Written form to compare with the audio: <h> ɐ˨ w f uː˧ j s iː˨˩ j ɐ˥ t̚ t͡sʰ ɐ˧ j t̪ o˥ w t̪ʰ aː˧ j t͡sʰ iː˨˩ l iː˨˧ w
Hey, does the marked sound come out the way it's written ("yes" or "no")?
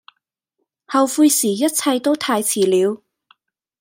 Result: yes